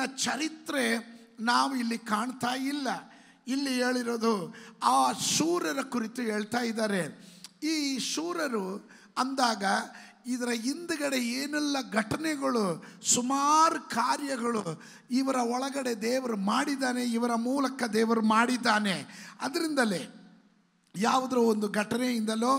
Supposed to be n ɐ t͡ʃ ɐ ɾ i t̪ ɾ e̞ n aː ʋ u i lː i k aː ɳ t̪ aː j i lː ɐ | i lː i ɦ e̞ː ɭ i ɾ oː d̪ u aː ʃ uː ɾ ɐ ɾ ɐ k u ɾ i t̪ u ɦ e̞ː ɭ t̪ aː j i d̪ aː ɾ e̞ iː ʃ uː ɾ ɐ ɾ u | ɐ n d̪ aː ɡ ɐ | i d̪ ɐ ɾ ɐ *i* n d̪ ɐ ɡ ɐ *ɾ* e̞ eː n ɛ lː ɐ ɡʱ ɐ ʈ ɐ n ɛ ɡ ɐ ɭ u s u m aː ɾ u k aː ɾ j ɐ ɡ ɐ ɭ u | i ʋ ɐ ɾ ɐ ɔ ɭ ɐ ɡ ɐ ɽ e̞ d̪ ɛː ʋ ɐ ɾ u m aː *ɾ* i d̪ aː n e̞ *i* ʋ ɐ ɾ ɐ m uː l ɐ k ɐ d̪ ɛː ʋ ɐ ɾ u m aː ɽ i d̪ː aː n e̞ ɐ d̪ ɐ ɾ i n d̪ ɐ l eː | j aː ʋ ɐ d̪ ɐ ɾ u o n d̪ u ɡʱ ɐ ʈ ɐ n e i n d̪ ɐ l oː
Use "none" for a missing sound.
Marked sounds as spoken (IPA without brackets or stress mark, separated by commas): i, ɽ, ɽ, i